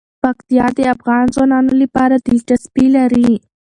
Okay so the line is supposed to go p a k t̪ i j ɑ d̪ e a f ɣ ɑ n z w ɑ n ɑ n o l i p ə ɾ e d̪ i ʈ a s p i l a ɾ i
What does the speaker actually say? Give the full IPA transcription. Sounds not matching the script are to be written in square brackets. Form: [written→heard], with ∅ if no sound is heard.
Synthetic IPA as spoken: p a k t̪ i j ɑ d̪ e a f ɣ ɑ n z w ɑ n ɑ n o l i p [ə→ɑ] ɾ [e→a] d̪ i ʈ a s p i l a ɾ i